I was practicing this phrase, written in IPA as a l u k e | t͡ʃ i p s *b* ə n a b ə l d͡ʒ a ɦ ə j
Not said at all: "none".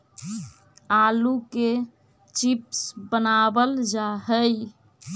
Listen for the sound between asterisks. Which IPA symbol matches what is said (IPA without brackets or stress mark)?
b